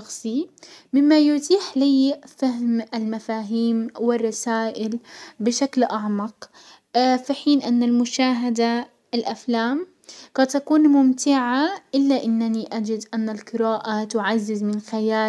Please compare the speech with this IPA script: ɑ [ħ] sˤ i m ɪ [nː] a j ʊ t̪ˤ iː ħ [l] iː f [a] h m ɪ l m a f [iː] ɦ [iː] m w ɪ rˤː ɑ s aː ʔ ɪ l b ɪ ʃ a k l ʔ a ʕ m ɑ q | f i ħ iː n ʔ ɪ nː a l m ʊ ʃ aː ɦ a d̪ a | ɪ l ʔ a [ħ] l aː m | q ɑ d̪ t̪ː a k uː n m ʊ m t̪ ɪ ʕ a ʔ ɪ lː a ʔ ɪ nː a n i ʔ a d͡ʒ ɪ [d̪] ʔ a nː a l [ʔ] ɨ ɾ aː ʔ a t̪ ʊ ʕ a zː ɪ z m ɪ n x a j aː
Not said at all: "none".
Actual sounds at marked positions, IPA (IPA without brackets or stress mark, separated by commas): x, mː, l, a, aː, iː, f, d̪, q